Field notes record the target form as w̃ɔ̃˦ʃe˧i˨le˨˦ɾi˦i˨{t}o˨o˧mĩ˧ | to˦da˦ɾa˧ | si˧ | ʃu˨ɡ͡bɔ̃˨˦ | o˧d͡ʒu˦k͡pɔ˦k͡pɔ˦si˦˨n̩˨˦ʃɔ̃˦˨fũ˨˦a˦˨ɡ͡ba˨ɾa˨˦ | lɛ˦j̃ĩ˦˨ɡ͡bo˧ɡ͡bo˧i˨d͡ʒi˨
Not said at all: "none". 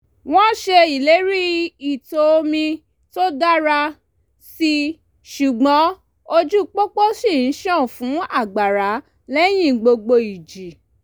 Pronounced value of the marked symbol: t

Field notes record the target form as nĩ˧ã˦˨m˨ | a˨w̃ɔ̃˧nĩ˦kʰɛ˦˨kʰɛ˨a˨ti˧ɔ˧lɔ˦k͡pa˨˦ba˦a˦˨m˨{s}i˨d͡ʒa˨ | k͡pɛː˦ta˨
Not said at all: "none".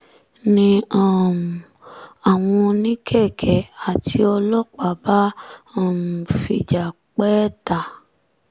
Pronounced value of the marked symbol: f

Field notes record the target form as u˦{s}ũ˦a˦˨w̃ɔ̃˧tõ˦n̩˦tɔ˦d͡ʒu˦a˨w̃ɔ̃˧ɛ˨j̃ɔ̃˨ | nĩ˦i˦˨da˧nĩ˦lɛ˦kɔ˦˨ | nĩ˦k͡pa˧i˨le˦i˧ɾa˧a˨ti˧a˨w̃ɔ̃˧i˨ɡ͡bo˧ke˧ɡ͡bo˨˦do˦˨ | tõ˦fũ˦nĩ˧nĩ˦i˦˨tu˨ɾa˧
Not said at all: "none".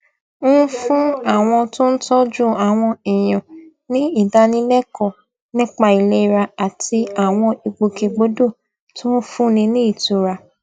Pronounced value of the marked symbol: f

